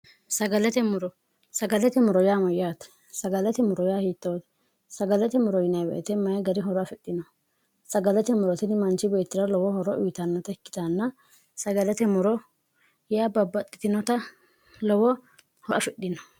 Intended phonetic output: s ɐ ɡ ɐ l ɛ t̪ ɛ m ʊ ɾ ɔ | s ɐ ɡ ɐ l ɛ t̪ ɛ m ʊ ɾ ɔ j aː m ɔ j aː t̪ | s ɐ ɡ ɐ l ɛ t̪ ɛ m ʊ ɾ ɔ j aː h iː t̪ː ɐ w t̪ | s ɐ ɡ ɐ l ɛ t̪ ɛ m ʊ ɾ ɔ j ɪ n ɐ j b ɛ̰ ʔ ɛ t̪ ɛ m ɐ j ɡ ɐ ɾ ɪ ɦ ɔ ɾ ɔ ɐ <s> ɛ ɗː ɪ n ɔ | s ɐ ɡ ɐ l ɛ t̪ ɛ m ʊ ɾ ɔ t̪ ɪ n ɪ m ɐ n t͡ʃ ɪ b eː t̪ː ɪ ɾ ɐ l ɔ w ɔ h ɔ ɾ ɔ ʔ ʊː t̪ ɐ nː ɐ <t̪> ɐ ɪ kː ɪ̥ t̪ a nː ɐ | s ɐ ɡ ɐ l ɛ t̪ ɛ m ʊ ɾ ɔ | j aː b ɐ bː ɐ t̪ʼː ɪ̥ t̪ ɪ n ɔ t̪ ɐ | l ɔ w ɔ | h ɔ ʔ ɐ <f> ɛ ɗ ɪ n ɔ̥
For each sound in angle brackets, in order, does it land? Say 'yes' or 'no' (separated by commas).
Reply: no, yes, yes